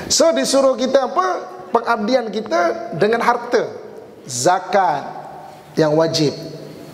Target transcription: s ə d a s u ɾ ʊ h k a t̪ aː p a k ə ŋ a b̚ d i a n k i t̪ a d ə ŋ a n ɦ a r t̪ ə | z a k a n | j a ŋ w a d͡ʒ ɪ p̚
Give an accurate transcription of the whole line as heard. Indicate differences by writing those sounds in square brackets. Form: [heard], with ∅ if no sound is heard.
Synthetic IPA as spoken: s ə d [i] s u ɾ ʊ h k [i] t̪ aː p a [p] ə ŋ a b̚ d i a n k i t̪ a d ə ŋ a n ɦ a r t̪ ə | z a k a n | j a ŋ w a d͡ʒ ɪ p̚